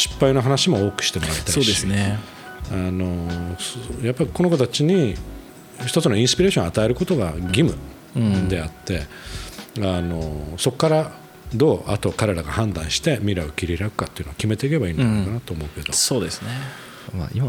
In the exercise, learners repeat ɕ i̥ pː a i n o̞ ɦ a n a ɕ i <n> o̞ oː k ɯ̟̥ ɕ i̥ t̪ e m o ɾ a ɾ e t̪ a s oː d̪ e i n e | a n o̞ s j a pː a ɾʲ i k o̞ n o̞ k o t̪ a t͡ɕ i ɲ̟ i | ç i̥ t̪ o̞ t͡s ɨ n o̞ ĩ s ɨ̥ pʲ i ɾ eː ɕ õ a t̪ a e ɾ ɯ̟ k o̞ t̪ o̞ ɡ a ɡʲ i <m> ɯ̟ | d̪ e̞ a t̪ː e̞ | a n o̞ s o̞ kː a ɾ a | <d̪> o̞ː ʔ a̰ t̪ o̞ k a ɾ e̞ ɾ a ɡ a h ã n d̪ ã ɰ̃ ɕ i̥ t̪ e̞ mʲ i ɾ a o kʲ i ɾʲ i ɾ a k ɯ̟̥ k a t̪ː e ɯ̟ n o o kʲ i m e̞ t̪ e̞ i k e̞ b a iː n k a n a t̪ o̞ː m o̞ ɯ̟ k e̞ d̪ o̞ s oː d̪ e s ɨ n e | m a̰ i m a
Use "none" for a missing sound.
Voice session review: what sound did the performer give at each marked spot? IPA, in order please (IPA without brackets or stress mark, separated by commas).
m, m, d̪